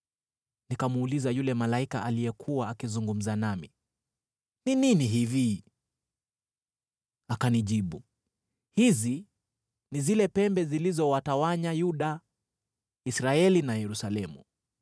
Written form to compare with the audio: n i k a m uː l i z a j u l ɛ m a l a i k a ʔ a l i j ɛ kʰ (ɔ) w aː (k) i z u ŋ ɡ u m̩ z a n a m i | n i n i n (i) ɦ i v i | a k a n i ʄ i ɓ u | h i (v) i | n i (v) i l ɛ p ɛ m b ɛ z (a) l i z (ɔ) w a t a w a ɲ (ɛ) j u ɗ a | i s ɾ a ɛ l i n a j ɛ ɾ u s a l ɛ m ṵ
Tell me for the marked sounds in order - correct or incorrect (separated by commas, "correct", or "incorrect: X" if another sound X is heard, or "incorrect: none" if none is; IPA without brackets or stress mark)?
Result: incorrect: u, correct, correct, incorrect: z, incorrect: z, incorrect: i, correct, incorrect: a